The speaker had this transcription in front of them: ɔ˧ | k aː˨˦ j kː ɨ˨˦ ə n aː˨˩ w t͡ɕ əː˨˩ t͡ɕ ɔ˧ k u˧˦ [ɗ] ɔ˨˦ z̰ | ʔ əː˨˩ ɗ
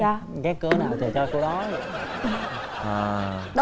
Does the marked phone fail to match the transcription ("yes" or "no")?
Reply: no